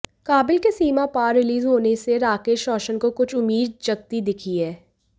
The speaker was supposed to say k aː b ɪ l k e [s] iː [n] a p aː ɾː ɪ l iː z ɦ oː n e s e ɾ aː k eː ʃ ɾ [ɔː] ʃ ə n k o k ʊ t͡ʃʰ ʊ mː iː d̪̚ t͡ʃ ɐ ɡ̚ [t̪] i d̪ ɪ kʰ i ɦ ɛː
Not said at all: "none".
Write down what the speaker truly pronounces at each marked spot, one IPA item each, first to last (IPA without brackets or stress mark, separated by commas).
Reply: s, m, ɔː, t̪